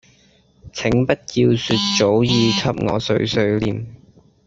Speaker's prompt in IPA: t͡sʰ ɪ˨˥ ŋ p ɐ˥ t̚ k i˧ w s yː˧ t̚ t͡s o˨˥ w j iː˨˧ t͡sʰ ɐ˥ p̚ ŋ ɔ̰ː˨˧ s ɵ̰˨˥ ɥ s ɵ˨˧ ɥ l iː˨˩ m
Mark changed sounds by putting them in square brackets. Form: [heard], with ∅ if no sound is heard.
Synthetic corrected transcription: t͡sʰ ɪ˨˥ ŋ p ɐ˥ t̚ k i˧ w s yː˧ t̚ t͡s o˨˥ w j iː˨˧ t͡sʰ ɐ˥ p̚ ŋ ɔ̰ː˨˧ s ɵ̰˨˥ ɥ s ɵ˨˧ ɥ l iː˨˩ m

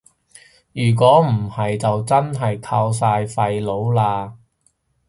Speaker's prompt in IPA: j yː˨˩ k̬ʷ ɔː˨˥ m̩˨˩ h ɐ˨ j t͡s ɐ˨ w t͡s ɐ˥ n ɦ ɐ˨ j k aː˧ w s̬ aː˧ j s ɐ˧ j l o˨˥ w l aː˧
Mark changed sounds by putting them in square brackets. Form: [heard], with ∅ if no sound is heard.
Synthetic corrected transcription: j yː˨˩ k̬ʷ ɔː˨˥ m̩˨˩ h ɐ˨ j t͡s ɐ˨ w t͡s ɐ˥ n ɦ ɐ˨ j [kʰ] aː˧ w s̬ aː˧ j [f] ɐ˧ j l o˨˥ w l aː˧

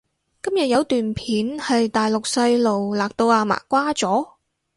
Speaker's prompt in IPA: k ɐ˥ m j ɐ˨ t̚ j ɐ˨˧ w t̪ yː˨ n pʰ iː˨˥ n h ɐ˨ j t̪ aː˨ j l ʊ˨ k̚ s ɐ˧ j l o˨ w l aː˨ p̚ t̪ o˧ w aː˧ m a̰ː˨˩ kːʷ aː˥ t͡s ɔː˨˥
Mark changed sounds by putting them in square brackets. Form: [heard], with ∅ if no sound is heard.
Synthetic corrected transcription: k ɐ˥ m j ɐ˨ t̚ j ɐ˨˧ w t̪ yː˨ n pʰ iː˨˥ n h ɐ˨ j t̪ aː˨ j l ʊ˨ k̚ s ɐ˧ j l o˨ w l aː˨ [k̚] t̪ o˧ w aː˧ m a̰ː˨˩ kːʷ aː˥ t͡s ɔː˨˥

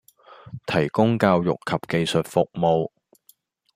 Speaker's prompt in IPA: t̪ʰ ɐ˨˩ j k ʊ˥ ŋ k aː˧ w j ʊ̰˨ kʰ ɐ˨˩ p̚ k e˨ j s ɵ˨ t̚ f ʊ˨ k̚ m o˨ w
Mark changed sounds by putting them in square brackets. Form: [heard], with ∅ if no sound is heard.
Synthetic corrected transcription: t̪ʰ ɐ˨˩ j k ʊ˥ ŋ k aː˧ w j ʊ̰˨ kʰ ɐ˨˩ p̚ k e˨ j s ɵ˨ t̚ f ʊ˨ k̚ m o˨ w

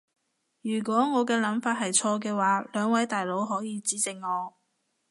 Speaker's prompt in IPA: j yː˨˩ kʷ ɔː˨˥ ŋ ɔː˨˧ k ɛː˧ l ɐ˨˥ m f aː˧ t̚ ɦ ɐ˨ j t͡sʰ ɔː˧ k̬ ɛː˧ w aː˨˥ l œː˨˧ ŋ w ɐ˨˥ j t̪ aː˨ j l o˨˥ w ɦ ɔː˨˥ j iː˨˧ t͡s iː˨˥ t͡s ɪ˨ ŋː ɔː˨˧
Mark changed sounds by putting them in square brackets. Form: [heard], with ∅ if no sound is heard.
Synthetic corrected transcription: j yː˨˩ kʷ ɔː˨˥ ŋ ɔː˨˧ k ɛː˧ l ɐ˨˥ m f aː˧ t̚ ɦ ɐ˨ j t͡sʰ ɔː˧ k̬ ɛː˧ w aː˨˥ l œː˨˧ ŋ w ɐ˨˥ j t̪ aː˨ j l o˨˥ w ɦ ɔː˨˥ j iː˨˧ t͡s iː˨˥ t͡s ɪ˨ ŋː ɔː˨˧

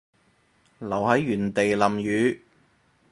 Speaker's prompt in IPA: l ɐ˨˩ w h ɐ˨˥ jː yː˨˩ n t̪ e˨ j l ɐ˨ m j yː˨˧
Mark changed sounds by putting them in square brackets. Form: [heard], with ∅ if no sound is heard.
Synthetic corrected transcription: l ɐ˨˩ w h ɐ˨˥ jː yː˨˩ n t̪ e˨ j l ɐ˨ m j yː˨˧

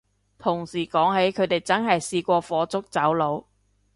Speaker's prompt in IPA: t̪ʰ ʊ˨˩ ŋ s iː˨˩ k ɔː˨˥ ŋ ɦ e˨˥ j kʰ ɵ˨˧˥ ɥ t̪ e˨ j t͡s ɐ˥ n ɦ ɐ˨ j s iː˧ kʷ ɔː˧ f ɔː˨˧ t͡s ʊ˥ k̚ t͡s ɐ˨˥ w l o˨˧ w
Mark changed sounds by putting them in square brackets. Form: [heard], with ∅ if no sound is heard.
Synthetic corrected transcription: t̪ʰ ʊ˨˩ ŋ s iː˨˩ k ɔː˨˥ ŋ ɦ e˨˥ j kʰ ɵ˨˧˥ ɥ t̪ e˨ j t͡s ɐ˥ n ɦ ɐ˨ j s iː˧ kʷ ɔː˧ f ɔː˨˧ t͡s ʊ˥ k̚ t͡s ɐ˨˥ w l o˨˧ w

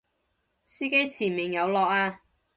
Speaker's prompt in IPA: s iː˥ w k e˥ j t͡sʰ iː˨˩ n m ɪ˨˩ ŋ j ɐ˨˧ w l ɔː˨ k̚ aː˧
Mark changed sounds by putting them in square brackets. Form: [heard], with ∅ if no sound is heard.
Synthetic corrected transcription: s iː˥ [∅] k e˥ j t͡sʰ iː˨˩ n m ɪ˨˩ ŋ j ɐ˨˧ w l ɔː˨ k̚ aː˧

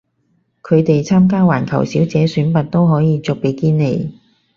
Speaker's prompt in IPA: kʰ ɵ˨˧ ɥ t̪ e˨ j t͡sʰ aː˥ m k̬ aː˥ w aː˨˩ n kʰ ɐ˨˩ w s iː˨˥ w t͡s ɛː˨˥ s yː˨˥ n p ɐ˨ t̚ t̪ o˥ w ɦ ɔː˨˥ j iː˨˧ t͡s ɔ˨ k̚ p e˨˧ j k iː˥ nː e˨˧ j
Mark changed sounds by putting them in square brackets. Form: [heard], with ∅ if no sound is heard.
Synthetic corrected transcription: kʰ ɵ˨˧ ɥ t̪ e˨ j t͡sʰ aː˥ m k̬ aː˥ w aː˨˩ n kʰ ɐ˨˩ w s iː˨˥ w t͡s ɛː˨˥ s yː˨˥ n p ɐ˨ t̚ t̪ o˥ w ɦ ɔː˨˥ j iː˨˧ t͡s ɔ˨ k̚ p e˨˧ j k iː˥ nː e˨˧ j

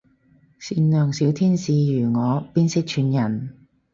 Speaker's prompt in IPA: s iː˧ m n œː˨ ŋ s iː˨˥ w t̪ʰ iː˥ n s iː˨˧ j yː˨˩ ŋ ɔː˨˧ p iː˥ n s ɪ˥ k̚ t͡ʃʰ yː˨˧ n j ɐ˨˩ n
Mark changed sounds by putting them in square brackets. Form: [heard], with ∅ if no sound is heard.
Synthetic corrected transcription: s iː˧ [n] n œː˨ ŋ s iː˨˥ w t̪ʰ iː˥ n s iː˨˧ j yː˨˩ ŋ ɔː˨˧ p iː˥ n s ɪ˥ k̚ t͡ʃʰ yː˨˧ n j ɐ˨˩ n

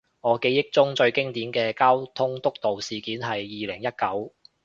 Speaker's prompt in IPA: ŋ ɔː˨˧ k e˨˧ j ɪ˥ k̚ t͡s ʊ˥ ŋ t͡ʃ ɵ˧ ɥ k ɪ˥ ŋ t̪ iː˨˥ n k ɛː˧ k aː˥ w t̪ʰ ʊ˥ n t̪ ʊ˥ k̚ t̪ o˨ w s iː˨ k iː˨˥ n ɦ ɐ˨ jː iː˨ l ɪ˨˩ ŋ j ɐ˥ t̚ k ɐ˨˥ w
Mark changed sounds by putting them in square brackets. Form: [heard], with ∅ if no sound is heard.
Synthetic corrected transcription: ŋ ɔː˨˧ k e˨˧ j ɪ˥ k̚ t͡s ʊ˥ ŋ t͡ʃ ɵ˧ ɥ k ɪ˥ ŋ t̪ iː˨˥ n k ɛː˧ k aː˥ w t̪ʰ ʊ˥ [ŋ] t̪ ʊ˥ k̚ t̪ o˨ w s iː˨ k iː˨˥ n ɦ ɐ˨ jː iː˨ l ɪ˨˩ ŋ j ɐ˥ t̚ k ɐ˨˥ w

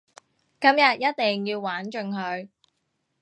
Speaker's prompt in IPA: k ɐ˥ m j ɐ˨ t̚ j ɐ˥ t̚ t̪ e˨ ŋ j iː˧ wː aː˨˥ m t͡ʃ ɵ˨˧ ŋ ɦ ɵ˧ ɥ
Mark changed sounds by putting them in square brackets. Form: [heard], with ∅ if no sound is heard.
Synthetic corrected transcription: k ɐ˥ m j ɐ˨ t̚ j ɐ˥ t̚ t̪ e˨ ŋ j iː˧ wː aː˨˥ [n] t͡ʃ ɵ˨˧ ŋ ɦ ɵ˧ ɥ

